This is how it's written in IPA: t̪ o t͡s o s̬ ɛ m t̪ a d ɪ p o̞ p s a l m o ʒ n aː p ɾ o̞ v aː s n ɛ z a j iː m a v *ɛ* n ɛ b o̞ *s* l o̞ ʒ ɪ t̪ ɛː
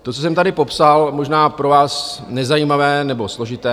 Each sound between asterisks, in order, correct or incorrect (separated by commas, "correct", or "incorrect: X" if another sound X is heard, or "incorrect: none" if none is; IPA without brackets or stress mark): incorrect: ɛː, correct